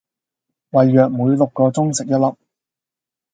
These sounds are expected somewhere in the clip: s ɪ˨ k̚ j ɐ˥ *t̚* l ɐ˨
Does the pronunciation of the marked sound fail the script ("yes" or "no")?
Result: no